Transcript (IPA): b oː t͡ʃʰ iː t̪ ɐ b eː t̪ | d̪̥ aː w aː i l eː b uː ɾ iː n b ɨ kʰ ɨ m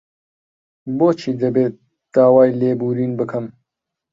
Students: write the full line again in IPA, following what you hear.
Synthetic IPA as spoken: b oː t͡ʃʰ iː d̪ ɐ b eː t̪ | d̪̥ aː w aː j l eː b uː ɾ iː n b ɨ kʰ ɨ m